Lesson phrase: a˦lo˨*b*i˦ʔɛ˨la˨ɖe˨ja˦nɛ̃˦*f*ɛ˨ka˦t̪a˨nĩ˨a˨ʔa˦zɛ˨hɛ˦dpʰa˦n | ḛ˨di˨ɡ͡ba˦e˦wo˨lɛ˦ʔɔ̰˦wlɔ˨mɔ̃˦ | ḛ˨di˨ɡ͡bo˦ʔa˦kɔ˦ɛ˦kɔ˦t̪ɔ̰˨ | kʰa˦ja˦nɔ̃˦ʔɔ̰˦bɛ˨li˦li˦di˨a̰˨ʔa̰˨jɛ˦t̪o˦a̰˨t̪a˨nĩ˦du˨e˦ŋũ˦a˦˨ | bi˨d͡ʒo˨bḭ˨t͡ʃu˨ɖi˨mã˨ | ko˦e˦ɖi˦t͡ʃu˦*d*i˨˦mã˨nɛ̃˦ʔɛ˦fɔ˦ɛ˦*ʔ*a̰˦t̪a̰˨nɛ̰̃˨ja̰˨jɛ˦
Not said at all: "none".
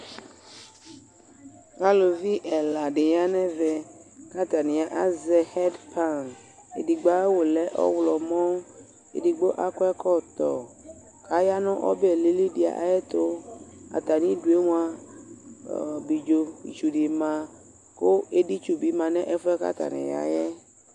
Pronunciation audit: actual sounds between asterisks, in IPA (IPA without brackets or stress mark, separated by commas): v, v, b, k